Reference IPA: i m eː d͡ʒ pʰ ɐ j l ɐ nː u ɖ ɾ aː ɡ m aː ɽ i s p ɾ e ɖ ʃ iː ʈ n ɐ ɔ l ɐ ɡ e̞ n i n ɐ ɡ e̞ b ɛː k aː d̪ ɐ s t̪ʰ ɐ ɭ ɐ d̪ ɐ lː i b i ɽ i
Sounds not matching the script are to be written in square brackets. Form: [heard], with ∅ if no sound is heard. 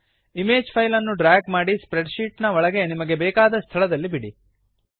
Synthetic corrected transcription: i m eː d͡ʒ pʰ ɐ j l ɐ nː u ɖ ɾ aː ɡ m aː ɽ i s p ɾ e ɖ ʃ iː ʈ n ɐ ɔ [ɭ] ɐ ɡ e̞ n i [m] ɐ ɡ e̞ b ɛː k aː d̪ ɐ s t̪ʰ ɐ ɭ ɐ d̪ ɐ lː i b i ɽ i